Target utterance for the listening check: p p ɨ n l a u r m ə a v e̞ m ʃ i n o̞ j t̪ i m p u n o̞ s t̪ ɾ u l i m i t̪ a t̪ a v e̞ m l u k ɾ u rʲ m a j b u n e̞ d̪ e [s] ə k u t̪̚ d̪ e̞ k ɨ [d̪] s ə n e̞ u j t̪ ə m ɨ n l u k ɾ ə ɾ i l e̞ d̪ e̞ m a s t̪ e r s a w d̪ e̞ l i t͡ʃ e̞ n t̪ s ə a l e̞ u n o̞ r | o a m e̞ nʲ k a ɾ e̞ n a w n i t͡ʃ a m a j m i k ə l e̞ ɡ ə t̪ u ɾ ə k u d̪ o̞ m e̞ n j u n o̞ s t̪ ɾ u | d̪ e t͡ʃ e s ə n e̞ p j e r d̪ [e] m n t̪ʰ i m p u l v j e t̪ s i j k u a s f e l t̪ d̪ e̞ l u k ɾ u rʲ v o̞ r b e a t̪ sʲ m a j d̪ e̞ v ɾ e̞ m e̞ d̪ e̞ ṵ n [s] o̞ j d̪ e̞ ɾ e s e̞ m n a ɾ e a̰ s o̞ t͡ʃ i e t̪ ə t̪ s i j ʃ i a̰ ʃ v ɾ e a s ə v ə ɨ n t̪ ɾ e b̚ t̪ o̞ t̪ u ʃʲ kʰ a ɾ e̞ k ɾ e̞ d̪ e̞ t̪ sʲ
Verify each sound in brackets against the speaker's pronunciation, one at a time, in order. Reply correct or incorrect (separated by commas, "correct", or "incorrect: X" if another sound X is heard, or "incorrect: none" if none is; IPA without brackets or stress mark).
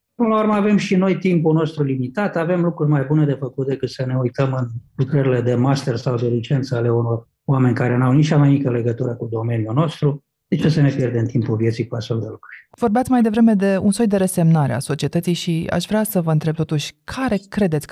incorrect: f, incorrect: t̪, correct, correct